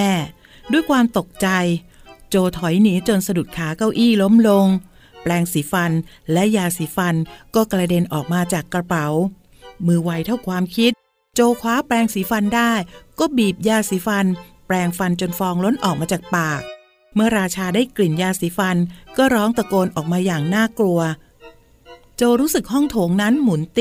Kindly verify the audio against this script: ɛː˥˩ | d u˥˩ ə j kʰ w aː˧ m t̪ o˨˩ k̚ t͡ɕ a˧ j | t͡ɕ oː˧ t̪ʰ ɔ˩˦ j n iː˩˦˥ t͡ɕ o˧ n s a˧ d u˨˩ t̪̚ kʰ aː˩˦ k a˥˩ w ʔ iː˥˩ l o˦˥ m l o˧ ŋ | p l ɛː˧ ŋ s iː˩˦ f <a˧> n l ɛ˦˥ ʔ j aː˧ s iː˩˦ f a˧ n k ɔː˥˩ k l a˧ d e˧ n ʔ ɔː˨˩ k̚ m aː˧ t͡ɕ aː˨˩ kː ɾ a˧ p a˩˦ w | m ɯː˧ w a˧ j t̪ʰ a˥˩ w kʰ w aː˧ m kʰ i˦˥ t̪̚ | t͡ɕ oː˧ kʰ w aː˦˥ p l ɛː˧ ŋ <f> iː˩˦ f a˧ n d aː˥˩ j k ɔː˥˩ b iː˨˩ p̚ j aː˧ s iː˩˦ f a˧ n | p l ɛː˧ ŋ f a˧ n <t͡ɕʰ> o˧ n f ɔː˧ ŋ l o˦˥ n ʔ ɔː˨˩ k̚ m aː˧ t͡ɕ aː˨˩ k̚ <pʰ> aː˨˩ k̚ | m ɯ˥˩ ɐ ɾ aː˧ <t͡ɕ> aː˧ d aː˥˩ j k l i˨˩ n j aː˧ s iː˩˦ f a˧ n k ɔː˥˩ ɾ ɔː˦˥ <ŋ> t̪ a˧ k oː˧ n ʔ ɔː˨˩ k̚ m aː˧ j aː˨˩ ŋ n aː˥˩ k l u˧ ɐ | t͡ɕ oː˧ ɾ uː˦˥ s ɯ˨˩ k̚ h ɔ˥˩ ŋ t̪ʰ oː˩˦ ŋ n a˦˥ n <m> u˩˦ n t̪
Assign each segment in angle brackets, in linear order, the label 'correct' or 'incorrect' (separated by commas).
correct, incorrect, incorrect, incorrect, incorrect, correct, correct